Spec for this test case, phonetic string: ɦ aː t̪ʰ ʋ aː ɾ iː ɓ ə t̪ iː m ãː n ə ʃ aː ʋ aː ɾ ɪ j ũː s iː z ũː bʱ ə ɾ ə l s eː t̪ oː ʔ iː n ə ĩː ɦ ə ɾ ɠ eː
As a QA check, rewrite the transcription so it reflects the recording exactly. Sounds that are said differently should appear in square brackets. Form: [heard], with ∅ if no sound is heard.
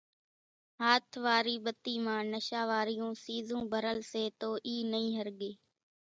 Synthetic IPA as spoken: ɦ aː t̪ʰ ʋ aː ɾ iː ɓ ə t̪ iː m ãː n ə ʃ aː ʋ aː ɾ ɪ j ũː s iː z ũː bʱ ə ɾ ə l s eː t̪ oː ʔ iː n ə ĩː ɦ ə ɾ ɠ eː